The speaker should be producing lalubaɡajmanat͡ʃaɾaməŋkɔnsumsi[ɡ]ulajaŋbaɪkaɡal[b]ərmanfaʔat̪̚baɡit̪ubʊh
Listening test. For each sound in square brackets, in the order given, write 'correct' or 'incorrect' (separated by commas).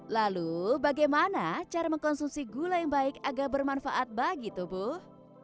correct, correct